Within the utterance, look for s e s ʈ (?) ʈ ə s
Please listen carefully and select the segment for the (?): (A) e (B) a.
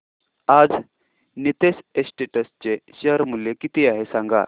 A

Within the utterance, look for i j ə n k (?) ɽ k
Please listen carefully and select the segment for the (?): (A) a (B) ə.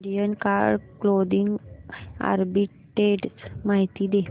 A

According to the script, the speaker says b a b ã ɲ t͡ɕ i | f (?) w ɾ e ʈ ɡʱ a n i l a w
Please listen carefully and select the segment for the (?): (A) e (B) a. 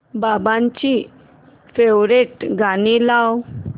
A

